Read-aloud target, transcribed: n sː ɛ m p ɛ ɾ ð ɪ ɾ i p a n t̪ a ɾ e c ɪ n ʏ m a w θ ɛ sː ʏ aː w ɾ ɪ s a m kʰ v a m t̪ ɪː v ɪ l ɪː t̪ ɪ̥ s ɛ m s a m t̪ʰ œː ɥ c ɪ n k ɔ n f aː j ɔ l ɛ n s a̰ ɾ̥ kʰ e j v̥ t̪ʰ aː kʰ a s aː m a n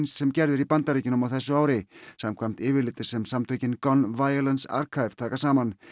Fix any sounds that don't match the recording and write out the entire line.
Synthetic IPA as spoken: n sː ɛ m c ɛ ɾ ð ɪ ɾ i p a n t̪ a ɾ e c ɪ n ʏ m a w θ ɛ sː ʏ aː w ɾ ɪ s a m kʰ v a m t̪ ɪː v ɪ l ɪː t̪ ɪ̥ s ɛ m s a m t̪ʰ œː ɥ c ɪ n k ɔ n v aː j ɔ l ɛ n s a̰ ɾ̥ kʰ a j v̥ t̪ʰ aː k a s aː m a n

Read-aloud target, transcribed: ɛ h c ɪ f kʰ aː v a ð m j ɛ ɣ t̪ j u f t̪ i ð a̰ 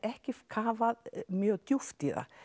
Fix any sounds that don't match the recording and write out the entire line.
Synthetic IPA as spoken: ɛ h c ɪ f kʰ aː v a ð m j œ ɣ t̪ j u f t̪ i ð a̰

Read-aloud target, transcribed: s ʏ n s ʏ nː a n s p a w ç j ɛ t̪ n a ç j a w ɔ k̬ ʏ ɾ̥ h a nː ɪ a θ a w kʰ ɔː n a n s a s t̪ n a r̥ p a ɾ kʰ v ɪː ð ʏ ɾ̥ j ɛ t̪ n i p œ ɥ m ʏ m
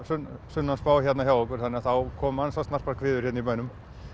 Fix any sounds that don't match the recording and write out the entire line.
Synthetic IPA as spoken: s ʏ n s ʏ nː a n s p a w ç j ɛ t̪ n a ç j a w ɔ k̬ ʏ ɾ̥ θ a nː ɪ a θ a w kʰ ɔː m a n s a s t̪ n a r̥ p a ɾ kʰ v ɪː ð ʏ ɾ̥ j ɛ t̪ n i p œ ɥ n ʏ m

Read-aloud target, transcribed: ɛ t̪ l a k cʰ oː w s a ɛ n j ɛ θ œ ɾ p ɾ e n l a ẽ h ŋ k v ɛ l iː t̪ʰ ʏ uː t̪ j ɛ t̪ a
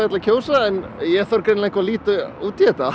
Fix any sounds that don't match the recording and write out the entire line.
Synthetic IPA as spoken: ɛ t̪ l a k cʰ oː w s a ɛ n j ɛ θ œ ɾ k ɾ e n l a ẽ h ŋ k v a l iː t̪ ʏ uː t̪ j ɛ t̪ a

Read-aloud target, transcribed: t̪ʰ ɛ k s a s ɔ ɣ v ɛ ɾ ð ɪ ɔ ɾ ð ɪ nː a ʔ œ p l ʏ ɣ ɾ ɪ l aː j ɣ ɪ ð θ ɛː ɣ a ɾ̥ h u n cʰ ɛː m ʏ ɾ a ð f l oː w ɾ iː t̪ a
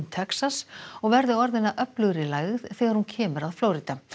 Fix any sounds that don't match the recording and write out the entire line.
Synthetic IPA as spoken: t̪ʰ ɛ k s a s ɔ ɣ v ɛ ɾ ð ɪ ɔ ɾ ð ɪ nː a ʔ œ p l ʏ ɣ ɾ ɪ l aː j ɣ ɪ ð θ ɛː ɣ a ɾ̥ h u n cʰ ɛː m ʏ ɾ a ð f l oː w ɾ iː t̪ a

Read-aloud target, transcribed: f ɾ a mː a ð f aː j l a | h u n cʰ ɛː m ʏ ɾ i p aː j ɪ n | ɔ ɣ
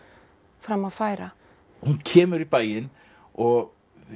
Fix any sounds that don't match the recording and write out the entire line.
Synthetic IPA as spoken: f ɾ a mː a ð f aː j ɾ a | h u n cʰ ɛː m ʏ ɾ i p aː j ɪ n | ɔ ɣ

